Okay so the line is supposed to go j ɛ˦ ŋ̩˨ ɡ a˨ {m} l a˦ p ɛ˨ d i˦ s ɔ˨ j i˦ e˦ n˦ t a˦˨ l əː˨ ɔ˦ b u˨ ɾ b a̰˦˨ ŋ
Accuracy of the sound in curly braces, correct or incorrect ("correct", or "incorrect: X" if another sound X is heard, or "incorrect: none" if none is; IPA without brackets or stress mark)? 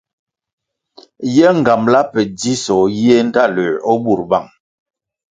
correct